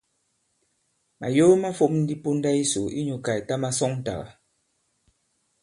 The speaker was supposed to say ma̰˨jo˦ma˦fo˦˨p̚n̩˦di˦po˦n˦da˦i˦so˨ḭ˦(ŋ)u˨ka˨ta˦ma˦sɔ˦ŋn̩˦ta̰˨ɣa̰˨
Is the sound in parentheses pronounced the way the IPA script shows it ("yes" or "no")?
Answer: no